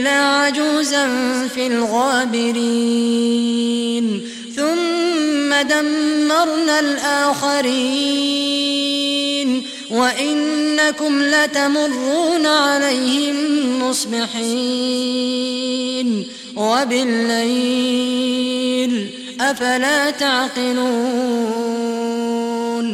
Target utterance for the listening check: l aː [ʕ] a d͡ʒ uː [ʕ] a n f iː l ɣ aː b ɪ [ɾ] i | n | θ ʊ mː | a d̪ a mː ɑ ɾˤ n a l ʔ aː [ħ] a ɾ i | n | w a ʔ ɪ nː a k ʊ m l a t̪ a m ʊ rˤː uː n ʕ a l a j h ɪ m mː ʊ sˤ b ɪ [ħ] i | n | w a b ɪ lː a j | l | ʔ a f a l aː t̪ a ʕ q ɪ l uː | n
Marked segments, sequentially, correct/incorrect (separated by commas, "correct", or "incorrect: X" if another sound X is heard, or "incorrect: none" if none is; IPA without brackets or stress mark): correct, incorrect: z, correct, incorrect: x, correct